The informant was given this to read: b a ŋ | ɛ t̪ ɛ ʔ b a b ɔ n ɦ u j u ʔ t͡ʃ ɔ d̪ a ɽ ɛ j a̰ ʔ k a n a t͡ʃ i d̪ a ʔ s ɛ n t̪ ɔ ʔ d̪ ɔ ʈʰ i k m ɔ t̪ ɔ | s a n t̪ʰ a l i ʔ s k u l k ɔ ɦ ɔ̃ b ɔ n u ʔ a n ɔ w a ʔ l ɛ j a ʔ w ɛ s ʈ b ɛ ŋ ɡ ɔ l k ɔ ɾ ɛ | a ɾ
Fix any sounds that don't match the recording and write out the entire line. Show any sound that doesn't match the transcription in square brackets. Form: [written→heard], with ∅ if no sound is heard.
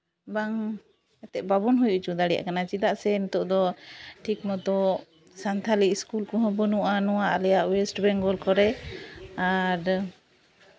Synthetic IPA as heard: b a ŋ | ɛ t̪ ɛ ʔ b a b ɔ n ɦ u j u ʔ t͡ʃ [ɔ→u] d̪ a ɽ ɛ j a̰ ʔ k a n a t͡ʃ i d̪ a ʔ s ɛ n t̪ ɔ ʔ d̪ ɔ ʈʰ i k m ɔ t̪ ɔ | s a n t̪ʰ a l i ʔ s k u l k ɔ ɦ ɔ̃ b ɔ n u ʔ a n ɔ w a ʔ l ɛ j a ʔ w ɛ s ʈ b ɛ ŋ ɡ ɔ l k ɔ ɾ ɛ | a ɾ